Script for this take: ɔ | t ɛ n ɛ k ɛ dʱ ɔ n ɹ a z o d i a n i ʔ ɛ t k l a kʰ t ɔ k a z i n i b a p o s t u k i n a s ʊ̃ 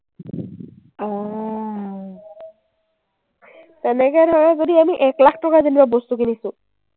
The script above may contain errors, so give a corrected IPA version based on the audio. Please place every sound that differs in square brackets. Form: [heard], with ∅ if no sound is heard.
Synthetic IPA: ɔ | t ɛ n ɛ k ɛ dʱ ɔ [∅] ɹ a z o d i a [m] i ʔ ɛ [∅] k l a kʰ t ɔ k a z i n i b a [b] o s t u k i n [i] s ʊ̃